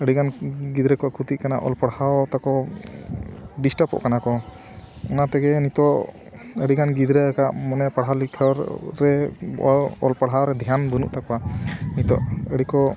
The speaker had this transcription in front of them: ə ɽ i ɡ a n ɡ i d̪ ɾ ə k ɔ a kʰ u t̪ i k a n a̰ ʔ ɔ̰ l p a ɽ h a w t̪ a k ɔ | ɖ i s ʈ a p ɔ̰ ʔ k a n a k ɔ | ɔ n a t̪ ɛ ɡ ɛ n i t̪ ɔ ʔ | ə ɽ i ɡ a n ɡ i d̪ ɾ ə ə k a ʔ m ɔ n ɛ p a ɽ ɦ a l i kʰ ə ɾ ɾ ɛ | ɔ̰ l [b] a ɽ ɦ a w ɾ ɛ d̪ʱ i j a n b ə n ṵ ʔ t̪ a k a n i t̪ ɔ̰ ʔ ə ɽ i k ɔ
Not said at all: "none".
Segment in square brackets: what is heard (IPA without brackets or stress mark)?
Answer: p